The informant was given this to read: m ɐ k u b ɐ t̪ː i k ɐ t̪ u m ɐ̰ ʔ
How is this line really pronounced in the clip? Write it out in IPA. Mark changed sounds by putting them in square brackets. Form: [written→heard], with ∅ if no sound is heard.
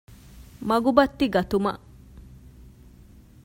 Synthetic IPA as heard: m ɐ [k→ɡ] u b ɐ t̪ː i [k→ɡ] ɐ t̪ u m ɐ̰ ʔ